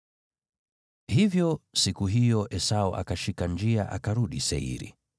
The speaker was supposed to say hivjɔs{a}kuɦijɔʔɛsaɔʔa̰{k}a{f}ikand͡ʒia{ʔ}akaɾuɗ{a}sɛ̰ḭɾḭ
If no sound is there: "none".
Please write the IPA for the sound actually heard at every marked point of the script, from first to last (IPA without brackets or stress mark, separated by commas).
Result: i, k, ʃ, ʔ, i